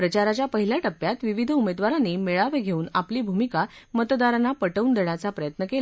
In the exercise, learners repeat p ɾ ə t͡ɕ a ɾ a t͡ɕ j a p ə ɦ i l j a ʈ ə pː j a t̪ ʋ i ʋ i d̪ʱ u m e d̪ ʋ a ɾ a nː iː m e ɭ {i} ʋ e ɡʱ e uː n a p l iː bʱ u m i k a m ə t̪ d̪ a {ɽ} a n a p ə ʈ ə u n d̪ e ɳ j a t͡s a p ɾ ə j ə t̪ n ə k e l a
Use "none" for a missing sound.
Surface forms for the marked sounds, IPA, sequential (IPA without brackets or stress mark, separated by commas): a, ɾ